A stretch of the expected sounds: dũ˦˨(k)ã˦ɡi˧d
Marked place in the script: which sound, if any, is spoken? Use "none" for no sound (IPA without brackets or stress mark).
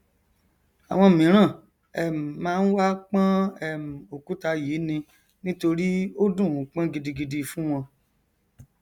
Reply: k͡p